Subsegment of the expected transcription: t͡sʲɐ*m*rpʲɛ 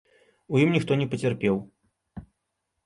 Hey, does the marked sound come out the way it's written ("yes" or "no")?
no